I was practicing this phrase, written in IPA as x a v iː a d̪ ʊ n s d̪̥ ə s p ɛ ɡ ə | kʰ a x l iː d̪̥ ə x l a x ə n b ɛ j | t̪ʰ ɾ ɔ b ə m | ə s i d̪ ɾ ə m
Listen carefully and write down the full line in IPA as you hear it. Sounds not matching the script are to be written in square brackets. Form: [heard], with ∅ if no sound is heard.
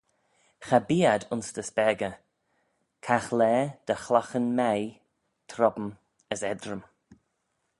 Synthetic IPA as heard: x a [b] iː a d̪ ʊ n s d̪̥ ə s p ɛ ɡ ə | kʰ a x l [ɛː] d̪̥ ə x l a x ə n [m] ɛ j | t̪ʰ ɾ ɔ b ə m | ə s [ɛ] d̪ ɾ ə m